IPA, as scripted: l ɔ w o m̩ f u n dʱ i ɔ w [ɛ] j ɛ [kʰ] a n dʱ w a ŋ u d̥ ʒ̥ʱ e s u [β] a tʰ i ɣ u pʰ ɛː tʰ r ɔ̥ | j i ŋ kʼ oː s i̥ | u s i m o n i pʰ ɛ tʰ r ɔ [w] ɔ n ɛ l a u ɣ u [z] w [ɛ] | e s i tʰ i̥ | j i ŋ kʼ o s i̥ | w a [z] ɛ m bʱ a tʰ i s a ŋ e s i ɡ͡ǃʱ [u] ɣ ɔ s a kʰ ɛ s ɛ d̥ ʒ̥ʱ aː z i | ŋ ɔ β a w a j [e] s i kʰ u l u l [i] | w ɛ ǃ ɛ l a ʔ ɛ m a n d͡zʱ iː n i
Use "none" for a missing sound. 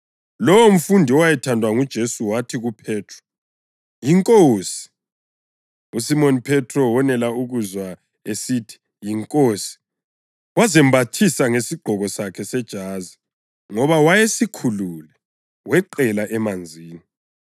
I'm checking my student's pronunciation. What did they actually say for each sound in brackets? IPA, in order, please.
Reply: a, tʰ, w, w, z, a, z, ɔ, e, ɛ

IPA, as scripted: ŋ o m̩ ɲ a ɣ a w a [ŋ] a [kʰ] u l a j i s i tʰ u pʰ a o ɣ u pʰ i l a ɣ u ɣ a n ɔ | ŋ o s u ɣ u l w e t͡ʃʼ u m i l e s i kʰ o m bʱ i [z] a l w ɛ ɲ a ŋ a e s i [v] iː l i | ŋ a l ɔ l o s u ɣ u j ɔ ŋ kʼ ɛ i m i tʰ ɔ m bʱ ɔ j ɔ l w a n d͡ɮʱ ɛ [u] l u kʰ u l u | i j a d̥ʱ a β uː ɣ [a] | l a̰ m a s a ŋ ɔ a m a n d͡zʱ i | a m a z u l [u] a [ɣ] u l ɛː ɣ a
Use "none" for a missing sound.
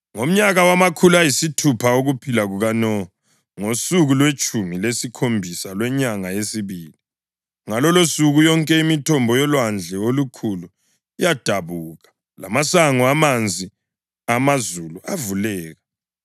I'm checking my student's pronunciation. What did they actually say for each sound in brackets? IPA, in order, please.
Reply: m, kʰ, s, β, o, a, u, v

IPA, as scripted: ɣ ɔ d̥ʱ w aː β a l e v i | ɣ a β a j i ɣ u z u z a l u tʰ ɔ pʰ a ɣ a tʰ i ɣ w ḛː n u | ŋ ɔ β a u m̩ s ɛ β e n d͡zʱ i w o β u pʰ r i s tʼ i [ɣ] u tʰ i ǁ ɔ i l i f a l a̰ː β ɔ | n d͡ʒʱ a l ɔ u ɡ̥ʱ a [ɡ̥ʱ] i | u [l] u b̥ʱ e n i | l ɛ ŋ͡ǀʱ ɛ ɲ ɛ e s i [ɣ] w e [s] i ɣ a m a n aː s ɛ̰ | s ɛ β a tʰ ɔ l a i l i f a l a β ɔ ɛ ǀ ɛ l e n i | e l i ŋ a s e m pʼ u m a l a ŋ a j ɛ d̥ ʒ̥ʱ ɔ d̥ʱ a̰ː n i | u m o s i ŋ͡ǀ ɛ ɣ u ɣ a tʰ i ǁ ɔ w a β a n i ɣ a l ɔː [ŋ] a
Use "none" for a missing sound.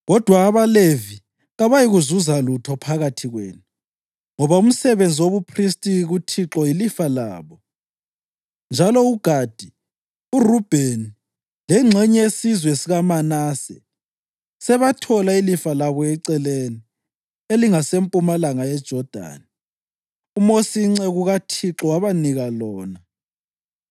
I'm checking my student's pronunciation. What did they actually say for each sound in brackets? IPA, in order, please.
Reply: ɣ, d̥ʱ, r, z, s, n

